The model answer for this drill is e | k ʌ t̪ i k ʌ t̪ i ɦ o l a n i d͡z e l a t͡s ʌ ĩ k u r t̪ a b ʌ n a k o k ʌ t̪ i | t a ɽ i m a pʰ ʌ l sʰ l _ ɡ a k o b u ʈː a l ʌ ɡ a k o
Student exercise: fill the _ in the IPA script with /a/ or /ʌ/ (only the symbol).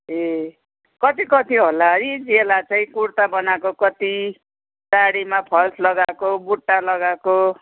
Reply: ʌ